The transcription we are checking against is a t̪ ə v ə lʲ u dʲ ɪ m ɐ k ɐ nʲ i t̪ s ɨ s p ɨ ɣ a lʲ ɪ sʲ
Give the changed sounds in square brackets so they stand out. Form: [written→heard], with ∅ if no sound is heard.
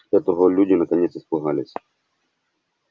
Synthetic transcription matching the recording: [a→ɛ] t̪ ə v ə lʲ u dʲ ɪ [m→n] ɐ k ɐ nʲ [i→e] t̪ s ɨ s p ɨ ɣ a lʲ ɪ sʲ